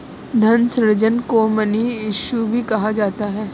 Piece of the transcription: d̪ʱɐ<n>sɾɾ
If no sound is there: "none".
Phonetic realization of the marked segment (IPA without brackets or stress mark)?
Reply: n